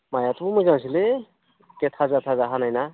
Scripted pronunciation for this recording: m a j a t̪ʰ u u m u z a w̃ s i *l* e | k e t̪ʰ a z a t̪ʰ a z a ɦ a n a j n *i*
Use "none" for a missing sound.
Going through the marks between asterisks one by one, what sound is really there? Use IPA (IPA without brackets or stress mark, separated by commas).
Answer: l, a